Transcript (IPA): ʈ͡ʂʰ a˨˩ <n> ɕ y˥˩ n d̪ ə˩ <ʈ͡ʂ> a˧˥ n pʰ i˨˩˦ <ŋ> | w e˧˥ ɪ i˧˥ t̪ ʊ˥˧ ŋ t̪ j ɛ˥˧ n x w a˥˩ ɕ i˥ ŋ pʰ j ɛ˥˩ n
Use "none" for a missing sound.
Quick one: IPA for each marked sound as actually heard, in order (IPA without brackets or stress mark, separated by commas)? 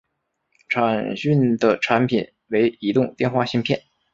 n, ʈ͡ʂʰ, n